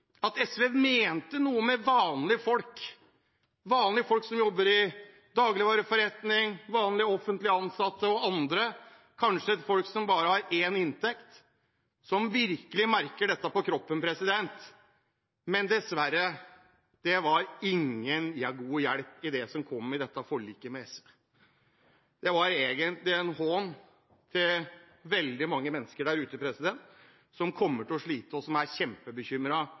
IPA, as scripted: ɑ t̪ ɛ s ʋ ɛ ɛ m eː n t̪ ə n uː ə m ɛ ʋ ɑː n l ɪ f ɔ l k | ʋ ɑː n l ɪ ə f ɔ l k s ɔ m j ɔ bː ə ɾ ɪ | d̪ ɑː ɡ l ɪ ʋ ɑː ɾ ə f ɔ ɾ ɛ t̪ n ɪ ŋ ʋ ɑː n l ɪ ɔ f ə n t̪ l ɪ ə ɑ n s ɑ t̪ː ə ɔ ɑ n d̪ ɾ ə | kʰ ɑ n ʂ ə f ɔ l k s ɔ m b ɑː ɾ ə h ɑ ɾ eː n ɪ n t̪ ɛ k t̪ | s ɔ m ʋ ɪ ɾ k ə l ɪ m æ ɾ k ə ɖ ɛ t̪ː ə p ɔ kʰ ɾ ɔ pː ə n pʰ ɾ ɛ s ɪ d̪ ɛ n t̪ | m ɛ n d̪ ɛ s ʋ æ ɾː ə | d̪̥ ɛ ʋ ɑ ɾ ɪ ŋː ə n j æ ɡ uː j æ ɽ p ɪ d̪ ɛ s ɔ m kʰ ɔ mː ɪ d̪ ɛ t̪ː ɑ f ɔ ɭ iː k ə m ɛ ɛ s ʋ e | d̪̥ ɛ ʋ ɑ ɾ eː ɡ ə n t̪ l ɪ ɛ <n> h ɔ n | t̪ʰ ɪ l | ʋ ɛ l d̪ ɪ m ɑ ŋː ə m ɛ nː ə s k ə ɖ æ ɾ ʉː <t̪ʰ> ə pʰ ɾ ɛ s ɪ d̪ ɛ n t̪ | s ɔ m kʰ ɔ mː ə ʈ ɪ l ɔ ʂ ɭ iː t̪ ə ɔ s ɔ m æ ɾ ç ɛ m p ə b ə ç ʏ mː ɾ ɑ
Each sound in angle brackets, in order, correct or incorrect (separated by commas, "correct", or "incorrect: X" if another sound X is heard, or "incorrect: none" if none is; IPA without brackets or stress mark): correct, incorrect: t̪